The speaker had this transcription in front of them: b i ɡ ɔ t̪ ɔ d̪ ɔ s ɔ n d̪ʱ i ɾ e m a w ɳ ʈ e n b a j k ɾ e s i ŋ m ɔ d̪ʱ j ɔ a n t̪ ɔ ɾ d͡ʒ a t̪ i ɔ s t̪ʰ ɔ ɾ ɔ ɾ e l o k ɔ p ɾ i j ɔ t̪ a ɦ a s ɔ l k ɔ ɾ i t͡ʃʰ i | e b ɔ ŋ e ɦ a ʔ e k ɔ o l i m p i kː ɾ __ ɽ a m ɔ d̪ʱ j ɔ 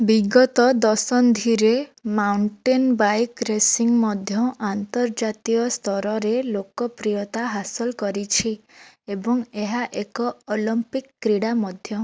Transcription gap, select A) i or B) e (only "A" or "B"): A